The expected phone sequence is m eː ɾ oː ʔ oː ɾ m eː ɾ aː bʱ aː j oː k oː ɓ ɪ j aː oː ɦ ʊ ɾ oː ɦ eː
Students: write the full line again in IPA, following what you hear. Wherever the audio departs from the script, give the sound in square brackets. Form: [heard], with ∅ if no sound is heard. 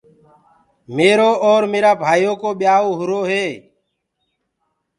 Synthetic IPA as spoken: m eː ɾ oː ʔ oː ɾ m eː ɾ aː bʱ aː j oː k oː ɓ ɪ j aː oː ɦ ʊ ɾ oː ɦ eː